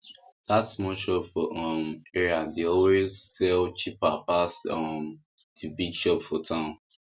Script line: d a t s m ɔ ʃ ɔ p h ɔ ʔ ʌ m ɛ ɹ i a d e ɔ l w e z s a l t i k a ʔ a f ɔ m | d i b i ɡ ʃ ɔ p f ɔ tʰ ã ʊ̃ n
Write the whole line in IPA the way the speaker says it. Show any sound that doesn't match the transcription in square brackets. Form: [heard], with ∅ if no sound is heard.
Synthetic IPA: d a t s m ɔ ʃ ɔ p [f] ɔ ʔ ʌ m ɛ ɹ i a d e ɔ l w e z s [ɛ] l [t͡ʃ] i [p] a [p] a [s] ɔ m | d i b i ɡ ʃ ɔ p f ɔ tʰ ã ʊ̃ n